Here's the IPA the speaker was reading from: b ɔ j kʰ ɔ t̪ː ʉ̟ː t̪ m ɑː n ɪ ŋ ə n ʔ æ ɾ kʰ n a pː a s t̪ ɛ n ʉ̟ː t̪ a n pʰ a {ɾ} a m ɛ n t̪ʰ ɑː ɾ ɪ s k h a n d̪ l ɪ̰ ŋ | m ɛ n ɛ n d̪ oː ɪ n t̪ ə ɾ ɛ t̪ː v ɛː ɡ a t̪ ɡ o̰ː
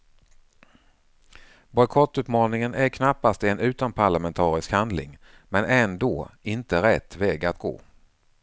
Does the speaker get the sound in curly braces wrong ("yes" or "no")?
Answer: yes